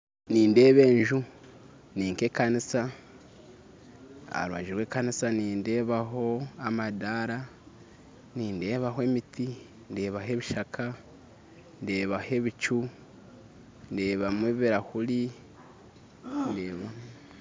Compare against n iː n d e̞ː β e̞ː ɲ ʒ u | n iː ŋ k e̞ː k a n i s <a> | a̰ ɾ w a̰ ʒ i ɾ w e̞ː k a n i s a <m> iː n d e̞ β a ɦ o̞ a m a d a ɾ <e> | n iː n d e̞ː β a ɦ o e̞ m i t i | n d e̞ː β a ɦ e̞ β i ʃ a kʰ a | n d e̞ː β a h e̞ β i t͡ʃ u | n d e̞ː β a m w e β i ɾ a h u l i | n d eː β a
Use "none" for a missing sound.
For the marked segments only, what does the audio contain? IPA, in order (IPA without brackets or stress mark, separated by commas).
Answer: a, n, a